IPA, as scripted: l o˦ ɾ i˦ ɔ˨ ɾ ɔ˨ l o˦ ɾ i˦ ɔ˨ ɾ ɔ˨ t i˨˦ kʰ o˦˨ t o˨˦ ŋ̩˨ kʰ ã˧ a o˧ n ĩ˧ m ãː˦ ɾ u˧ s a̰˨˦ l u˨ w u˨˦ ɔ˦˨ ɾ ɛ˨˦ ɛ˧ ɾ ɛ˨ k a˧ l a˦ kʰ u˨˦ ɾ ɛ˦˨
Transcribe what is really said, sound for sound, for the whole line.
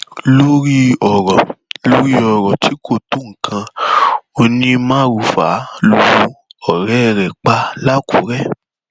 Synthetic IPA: l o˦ ɾ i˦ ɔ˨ ɾ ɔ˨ l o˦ ɾ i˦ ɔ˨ ɾ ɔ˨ t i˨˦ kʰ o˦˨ t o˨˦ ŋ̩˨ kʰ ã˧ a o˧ n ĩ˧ m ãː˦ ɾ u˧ f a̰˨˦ l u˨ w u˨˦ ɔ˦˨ ɾ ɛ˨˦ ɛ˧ ɾ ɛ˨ k͡p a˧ l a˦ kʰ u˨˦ ɾ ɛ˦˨